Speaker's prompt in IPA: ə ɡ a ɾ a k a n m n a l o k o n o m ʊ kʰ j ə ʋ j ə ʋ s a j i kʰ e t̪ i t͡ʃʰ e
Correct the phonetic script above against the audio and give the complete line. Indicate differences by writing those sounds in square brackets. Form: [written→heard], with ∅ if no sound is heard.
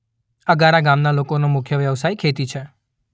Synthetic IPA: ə ɡ a ɾ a [k→ɡ] a [n→∅] m n a l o k o n o m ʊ kʰ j ə ʋ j ə ʋ s a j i kʰ e t̪ i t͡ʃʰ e